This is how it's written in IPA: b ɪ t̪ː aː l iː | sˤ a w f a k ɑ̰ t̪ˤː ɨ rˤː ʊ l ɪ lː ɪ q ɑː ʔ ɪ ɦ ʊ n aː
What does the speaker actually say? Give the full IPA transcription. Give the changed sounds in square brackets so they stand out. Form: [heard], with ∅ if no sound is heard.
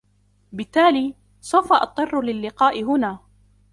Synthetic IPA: b ɪ t̪ː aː l iː | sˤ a w f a [ʔ] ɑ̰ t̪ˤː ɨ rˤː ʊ l ɪ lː ɪ q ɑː ʔ ɪ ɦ ʊ n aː